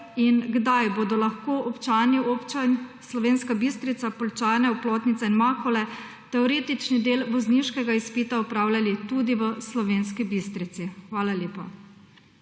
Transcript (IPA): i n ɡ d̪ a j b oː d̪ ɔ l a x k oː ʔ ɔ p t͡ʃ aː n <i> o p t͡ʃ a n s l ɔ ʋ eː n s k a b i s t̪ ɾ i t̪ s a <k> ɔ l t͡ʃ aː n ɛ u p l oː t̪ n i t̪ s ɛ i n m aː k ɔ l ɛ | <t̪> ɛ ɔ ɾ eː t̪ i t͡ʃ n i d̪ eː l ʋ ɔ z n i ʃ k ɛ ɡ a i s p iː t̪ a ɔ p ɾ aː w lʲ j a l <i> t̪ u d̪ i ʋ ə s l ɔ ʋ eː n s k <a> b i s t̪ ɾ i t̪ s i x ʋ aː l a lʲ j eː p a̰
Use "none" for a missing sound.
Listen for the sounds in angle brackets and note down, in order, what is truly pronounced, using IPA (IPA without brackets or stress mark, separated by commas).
i, p, t̪, i, i